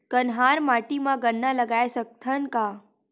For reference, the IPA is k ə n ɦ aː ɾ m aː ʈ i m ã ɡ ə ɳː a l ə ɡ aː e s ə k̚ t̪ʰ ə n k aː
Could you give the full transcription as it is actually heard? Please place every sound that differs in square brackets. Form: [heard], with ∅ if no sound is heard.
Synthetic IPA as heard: k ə n ɦ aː ɾ m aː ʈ i m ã ɡ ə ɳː a l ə ɡ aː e s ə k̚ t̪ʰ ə n k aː